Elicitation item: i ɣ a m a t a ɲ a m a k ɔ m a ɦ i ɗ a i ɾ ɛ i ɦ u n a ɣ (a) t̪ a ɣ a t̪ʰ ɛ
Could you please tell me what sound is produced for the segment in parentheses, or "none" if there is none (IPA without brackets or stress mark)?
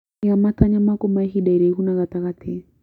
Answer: a